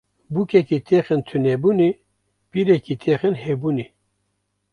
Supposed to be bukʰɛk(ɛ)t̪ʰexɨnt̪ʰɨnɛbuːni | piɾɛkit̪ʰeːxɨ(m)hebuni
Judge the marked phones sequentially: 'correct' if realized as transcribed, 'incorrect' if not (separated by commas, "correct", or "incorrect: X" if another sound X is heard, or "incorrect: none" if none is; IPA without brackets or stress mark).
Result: incorrect: i, incorrect: n